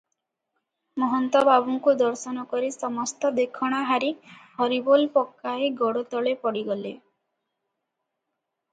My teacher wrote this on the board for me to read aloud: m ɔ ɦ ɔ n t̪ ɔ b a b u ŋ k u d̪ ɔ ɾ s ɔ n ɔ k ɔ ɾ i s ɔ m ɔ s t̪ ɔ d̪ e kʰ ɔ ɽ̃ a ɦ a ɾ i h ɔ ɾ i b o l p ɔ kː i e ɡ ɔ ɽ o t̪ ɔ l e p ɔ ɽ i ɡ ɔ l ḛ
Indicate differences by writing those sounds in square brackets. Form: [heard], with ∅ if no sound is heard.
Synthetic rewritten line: m ɔ ɦ ɔ n t̪ ɔ b a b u ŋ k u d̪ ɔ ɾ s ɔ n ɔ k ɔ ɾ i s ɔ m ɔ s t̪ ɔ d̪ e kʰ ɔ ɽ̃ a ɦ a ɾ i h ɔ ɾ i b o l p ɔ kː [a] e ɡ ɔ ɽ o t̪ ɔ [ɭ] e p ɔ ɽ i ɡ ɔ l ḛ